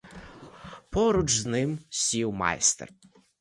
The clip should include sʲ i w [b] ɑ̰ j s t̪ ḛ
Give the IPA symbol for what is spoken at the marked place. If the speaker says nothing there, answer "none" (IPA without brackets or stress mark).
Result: m